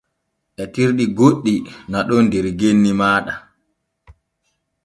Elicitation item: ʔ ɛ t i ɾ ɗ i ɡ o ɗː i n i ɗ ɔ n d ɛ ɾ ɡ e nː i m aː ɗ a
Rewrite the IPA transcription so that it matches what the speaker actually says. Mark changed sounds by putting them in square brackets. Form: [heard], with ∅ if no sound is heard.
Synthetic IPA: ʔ ɛ t i ɾ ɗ i ɡ o ɗː i n [a] ɗ ɔ n d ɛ ɾ ɡ e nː i m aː ɗ a